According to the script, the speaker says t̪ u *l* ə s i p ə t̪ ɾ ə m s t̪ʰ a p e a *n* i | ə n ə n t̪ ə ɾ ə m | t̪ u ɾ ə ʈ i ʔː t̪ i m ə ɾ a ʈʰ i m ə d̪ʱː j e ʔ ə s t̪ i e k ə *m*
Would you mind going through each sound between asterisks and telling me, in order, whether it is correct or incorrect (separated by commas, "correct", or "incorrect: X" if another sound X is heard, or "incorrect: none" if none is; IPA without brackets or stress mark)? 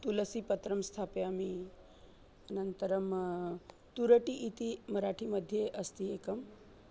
correct, incorrect: m, correct